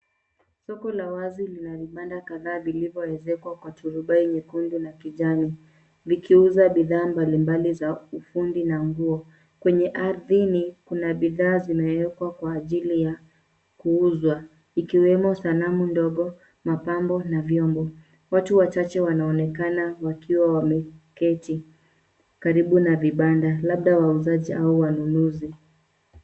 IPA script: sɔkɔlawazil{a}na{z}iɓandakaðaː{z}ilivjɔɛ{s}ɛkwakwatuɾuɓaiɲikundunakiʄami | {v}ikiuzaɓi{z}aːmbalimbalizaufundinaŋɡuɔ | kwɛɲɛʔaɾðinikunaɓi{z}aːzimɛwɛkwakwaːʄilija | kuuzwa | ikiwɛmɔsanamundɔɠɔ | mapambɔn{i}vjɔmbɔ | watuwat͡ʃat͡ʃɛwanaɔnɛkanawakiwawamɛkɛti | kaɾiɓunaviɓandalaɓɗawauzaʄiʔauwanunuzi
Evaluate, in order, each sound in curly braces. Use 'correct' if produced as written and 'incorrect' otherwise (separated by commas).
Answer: incorrect, incorrect, incorrect, incorrect, correct, incorrect, incorrect, incorrect